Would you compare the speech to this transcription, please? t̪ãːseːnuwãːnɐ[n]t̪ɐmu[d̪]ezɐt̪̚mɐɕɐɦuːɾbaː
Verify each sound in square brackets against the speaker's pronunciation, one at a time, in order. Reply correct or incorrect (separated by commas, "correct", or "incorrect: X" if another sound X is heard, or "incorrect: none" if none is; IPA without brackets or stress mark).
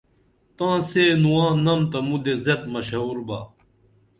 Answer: incorrect: m, correct